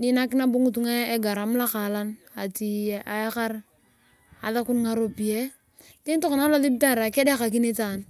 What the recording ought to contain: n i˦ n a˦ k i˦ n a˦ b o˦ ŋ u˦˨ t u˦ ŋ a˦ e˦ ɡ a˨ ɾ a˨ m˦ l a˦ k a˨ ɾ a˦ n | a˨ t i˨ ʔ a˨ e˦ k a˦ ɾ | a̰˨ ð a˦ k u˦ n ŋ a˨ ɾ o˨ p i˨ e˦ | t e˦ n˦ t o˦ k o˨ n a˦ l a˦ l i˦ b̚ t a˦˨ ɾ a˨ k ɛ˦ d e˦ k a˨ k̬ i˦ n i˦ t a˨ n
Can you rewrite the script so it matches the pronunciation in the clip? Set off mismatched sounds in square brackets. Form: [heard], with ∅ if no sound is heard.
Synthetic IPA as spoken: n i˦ n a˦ k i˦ n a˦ b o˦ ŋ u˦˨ t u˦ ŋ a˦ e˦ ɡ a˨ ɾ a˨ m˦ l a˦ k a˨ [l] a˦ n | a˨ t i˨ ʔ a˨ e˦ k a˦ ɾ | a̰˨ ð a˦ k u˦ n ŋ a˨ ɾ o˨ p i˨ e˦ | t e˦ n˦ t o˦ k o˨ n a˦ l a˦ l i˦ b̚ t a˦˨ ɾ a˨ k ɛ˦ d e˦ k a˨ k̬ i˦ n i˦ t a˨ n